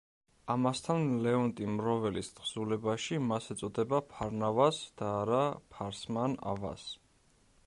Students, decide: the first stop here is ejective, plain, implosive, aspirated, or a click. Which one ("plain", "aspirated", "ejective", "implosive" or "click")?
aspirated